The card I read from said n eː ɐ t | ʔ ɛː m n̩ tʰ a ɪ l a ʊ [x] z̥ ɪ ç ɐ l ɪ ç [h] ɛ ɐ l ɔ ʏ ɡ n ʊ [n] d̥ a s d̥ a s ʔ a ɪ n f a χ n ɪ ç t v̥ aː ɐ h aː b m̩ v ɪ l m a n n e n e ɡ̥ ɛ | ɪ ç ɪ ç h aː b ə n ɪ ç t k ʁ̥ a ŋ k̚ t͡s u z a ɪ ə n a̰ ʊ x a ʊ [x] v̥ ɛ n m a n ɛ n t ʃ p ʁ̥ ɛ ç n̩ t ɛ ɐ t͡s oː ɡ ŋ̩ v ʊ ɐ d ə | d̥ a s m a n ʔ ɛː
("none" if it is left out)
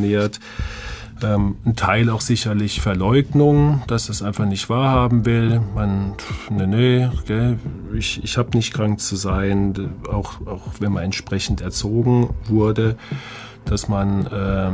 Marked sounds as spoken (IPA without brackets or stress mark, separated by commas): x, f, ŋ, x